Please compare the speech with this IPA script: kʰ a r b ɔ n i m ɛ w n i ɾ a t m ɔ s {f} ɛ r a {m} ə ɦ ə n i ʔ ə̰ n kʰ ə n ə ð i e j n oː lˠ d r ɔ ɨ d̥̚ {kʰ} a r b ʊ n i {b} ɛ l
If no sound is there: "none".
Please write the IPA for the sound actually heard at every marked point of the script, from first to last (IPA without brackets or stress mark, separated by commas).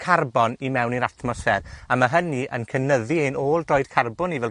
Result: f, m, kʰ, v